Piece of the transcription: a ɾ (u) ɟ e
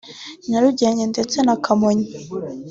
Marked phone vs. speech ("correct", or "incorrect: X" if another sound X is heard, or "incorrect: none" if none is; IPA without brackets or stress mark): correct